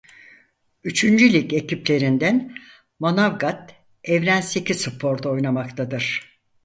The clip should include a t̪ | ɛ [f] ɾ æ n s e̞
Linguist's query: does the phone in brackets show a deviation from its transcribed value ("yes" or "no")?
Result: yes